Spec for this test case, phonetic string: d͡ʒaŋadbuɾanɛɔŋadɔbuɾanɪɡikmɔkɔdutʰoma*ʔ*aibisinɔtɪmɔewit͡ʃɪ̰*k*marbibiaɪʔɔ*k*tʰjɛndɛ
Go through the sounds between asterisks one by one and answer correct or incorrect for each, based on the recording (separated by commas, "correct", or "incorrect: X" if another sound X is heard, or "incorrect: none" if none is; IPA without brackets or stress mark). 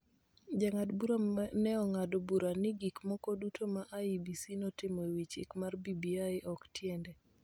correct, correct, correct